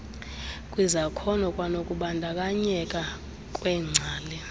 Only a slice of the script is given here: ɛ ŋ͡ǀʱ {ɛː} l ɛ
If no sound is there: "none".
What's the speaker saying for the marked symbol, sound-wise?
aː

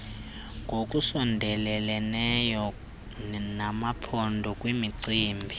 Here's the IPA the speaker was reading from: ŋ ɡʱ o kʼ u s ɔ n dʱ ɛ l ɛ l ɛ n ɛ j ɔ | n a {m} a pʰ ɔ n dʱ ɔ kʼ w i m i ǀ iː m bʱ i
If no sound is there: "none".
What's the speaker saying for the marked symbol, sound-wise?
m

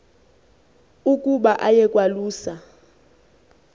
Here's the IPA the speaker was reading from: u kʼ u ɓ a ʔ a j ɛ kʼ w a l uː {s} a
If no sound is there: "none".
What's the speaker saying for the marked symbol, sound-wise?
s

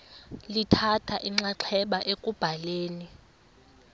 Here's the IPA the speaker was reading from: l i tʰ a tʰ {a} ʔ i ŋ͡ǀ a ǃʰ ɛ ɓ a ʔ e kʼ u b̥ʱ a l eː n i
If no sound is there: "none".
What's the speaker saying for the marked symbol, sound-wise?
a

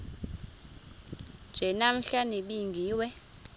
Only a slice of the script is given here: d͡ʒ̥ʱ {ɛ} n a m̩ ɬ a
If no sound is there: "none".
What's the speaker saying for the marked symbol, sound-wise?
ɛ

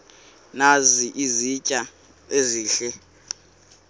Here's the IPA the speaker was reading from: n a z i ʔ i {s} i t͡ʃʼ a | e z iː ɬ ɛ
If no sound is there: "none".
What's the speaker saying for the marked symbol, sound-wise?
z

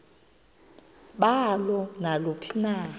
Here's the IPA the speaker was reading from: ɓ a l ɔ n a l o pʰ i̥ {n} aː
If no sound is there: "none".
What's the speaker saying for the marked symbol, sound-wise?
n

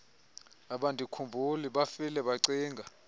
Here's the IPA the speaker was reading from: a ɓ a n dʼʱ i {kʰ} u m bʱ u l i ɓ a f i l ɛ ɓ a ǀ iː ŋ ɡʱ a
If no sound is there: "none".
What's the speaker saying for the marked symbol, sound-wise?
kʰ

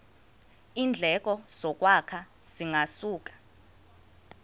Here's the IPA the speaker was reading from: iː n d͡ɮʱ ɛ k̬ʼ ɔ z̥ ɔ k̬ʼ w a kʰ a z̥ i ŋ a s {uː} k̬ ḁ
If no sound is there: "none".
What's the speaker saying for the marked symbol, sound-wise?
uː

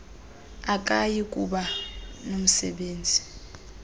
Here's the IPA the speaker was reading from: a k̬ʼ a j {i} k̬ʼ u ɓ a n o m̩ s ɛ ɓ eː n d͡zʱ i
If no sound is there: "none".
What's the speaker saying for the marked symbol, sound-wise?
i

